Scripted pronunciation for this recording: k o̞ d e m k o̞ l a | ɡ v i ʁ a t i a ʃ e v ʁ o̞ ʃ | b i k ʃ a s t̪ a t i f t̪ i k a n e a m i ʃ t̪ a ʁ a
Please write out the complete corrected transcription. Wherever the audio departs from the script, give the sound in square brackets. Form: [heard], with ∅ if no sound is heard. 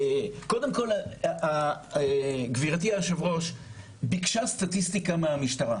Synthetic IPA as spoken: k o̞ d e m k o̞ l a | ɡ v i ʁ a t i a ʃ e v ʁ o̞ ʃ | b i k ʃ a s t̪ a t i [s] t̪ i k a [m] e a m i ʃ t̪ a ʁ a